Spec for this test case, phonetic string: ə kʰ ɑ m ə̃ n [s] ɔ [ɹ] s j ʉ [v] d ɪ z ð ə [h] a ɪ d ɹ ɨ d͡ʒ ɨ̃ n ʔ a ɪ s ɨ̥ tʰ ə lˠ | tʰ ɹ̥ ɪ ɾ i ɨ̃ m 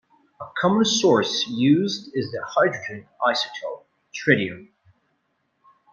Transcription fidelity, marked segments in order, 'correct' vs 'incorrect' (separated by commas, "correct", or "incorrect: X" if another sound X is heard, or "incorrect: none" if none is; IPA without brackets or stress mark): correct, correct, incorrect: z, correct